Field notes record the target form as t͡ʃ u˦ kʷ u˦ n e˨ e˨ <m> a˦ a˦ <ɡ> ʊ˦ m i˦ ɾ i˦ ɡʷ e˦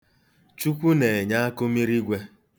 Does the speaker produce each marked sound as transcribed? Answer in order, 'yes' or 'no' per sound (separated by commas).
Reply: no, no